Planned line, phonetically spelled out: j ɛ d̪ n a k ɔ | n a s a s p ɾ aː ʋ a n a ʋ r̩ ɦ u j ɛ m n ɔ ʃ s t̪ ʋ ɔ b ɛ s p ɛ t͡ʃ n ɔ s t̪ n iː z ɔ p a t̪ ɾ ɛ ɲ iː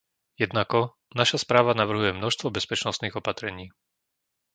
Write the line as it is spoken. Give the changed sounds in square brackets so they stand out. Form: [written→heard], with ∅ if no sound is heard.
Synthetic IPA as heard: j ɛ d̪ n a k ɔ | n a [s→ʃ] a s p ɾ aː ʋ a n a ʋ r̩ ɦ u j ɛ m n ɔ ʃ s t̪ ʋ ɔ b ɛ s p ɛ t͡ʃ n ɔ s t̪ n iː [z→ɣ] ɔ p a t̪ ɾ ɛ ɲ iː